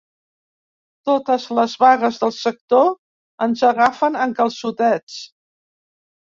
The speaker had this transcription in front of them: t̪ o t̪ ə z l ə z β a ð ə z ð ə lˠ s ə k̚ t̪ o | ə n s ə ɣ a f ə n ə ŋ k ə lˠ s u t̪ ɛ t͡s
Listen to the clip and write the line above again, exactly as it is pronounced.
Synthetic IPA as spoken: t̪ o t̪ ə z l ə z β a ɣ ə z ð ə lˠ s ə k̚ t̪ o | ə n z ə ɣ a f ə n ə ŋ k ə lˠ s u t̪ ɛ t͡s